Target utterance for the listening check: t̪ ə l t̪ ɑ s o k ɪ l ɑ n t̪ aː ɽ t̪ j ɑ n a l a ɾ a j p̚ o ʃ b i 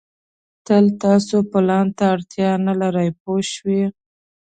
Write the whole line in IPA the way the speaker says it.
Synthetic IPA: t̪ ə l t̪ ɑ s o p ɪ l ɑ n t̪ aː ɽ t̪ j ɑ n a l a ɾ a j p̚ o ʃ w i